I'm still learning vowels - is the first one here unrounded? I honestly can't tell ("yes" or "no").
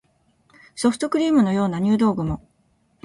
no